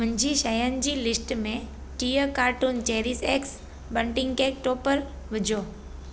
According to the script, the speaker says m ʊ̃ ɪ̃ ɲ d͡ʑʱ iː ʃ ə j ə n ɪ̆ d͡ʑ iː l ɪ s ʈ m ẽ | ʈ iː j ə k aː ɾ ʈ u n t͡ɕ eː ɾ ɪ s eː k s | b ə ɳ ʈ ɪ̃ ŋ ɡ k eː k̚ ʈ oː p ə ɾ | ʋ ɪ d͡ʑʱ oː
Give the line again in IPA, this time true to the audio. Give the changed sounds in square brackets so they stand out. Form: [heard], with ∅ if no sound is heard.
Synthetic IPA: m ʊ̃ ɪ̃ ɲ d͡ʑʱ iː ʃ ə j ə n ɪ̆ d͡ʑ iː l ɪ s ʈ m ẽ | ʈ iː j ə k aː ɾ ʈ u n t͡ɕ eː ɾ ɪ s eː k s | b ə ɳ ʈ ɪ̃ ŋ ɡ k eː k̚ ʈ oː p ə ɾ | ʋ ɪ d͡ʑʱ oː